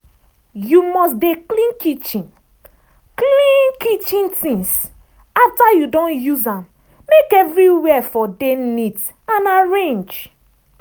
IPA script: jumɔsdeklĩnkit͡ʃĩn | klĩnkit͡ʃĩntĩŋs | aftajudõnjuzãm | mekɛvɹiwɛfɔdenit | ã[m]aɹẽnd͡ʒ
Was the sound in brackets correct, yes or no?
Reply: no